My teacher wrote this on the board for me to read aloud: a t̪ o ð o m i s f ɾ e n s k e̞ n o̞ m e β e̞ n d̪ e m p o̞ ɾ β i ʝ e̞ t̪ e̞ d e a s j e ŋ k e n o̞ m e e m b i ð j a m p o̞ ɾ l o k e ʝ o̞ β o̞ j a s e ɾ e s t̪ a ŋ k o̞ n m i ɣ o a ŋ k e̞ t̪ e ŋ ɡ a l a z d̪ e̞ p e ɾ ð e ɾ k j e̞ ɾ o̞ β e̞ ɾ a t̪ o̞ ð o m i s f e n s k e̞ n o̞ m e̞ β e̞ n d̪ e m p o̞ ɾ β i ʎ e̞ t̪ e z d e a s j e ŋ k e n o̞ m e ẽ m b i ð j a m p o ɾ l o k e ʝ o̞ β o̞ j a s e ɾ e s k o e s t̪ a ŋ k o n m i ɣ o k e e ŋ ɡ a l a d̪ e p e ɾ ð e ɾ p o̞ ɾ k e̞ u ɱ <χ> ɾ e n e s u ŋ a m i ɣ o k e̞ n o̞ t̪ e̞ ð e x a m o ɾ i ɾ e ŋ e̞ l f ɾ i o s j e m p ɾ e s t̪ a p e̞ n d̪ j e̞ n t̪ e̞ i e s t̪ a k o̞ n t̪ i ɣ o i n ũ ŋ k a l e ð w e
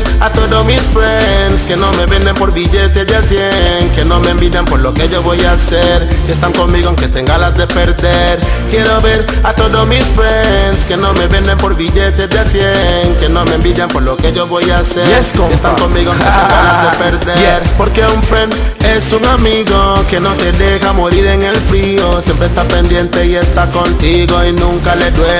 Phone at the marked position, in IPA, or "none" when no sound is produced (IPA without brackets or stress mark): f